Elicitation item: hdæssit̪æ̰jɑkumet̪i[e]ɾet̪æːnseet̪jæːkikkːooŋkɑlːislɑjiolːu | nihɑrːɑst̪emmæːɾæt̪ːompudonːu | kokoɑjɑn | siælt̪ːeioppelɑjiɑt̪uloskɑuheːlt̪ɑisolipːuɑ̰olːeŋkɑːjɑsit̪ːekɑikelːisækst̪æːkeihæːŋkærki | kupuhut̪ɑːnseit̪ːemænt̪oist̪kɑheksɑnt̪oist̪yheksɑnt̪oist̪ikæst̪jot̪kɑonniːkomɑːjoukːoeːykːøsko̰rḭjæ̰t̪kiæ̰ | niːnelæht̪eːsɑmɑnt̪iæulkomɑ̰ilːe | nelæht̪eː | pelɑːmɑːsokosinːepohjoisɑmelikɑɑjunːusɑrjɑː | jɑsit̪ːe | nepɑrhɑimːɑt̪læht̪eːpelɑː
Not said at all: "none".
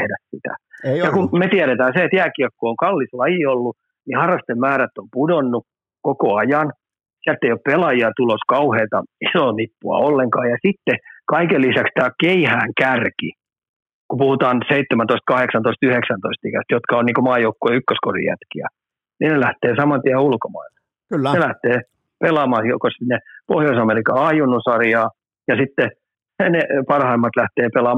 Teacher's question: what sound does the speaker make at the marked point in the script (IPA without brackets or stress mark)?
æ